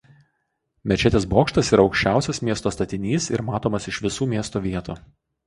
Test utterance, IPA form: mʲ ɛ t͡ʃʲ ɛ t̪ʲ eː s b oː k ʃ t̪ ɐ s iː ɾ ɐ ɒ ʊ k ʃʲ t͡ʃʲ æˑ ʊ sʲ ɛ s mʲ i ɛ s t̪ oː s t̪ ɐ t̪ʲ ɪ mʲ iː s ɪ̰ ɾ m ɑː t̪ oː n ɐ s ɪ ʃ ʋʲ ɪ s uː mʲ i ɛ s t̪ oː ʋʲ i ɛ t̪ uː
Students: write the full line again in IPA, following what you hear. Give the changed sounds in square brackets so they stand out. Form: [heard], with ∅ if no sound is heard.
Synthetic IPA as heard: mʲ ɛ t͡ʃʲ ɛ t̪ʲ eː s b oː k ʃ t̪ ɐ s iː ɾ ɐ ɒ ʊ k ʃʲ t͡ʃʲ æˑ ʊ sʲ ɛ s mʲ i ɛ s t̪ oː s t̪ ɐ t̪ʲ ɪ [nʲ] iː s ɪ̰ ɾ m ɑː t̪ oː [m] ɐ s ɪ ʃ ʋʲ ɪ s uː mʲ i ɛ s t̪ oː ʋʲ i ɛ t̪ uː

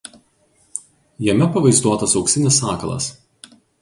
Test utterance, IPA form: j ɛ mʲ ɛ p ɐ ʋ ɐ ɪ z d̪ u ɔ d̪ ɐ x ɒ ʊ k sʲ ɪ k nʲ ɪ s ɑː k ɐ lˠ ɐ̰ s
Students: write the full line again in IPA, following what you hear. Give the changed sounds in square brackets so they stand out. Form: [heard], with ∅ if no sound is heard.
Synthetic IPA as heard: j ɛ mʲ ɛ p ɐ ʋ ɐ ɪ z d̪ u ɔ [t̪] ɐ [s] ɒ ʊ k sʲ ɪ [∅] nʲ ɪ s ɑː k ɐ lˠ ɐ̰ s

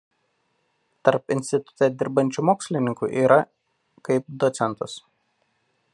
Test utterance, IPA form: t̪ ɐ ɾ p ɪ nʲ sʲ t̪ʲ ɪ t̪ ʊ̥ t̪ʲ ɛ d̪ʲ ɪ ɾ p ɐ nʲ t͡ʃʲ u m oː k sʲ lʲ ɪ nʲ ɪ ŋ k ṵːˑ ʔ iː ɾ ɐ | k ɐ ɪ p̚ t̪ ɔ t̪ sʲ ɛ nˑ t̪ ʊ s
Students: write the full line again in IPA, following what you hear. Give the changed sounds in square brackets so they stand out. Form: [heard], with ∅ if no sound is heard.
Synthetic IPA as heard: t̪ ɐ ɾ p ɪ nʲ sʲ t̪ʲ ɪ t̪ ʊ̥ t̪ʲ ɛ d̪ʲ ɪ ɾ [b] ɐ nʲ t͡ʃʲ u m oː k sʲ lʲ ɪ nʲ ɪ ŋ k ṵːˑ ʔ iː ɾ ɐ | k ɐ ɪ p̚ [d̪] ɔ t̪ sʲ ɛ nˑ t̪ ʊ s

